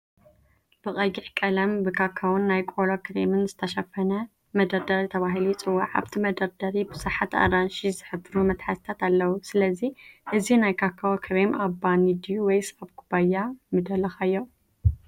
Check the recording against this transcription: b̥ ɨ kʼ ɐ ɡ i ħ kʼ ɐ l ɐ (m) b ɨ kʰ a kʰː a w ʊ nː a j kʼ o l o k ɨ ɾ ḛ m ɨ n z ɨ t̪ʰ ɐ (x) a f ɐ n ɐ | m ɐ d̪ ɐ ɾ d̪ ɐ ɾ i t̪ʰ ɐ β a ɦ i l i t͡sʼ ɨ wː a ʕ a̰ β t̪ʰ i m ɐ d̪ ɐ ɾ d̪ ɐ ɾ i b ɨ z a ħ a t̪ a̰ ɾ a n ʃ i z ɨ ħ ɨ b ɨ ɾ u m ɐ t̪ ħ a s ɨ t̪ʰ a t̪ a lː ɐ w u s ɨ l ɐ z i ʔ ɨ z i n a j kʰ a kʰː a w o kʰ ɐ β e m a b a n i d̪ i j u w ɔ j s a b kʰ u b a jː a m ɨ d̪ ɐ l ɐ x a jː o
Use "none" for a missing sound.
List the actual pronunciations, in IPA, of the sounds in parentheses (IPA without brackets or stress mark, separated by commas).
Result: m, ʃ